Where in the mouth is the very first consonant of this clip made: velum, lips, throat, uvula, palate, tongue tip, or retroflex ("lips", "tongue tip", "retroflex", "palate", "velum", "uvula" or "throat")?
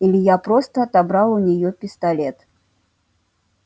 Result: tongue tip